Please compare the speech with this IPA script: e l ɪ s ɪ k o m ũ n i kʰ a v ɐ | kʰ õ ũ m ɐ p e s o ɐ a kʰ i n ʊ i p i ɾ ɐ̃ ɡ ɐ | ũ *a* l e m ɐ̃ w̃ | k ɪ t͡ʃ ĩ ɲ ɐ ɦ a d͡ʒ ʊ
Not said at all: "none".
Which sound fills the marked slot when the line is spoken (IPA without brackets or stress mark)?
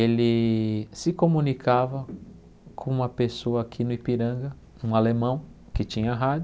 a